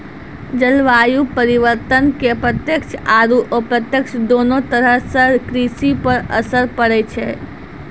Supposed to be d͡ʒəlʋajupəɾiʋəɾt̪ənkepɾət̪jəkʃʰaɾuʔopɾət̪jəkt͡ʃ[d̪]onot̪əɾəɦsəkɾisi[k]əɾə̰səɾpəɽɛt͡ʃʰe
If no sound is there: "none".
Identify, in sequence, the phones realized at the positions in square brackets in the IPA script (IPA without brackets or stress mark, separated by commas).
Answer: d̪, p